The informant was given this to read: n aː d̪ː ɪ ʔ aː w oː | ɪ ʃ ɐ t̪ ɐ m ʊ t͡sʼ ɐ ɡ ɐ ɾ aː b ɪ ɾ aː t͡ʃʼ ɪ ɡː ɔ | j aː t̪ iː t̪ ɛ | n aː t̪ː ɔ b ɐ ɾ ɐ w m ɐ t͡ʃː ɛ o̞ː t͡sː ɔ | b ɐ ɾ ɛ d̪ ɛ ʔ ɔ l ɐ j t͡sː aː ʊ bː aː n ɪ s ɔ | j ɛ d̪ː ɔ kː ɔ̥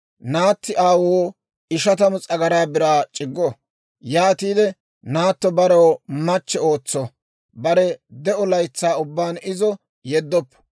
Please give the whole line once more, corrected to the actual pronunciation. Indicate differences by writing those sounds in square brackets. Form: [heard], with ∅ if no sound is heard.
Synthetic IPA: n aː [t̪ː] ɪ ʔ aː w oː | ɪ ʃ ɐ t̪ ɐ m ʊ t͡sʼ ɐ ɡ ɐ ɾ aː b ɪ ɾ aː t͡ʃʼ ɪ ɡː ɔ | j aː t̪ iː [d̪] ɛ | n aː t̪ː ɔ b ɐ ɾ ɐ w m ɐ t͡ʃː ɛ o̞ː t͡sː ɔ | b ɐ ɾ ɛ d̪ ɛ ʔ ɔ l ɐ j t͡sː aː ʊ bː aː n ɪ [z] ɔ | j ɛ d̪ː ɔ [pː] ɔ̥